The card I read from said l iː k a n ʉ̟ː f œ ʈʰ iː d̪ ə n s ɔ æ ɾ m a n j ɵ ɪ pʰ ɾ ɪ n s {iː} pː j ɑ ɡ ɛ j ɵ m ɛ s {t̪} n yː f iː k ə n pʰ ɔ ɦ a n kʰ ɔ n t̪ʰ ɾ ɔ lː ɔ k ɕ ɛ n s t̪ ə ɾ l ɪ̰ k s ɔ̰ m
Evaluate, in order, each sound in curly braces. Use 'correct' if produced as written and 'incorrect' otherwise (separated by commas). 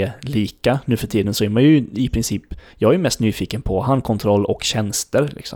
correct, correct